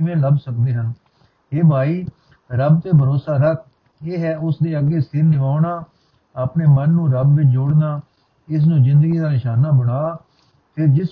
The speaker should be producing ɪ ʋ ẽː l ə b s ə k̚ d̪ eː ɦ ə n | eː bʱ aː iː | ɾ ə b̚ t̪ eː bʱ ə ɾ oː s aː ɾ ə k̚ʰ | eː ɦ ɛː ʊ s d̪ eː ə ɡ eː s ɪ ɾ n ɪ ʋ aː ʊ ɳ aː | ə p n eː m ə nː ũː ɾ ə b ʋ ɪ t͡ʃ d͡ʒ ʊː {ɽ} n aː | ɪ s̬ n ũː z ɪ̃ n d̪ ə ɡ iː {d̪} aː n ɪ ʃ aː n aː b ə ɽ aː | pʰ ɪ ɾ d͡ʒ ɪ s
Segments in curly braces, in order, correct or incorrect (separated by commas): correct, correct